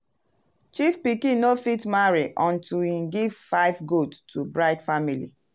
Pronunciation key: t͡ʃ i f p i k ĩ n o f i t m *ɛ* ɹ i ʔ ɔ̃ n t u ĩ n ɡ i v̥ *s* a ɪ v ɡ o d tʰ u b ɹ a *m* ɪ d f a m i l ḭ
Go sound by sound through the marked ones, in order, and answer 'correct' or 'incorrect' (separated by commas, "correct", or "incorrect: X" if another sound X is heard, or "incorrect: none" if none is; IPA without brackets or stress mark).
incorrect: a, incorrect: f, incorrect: none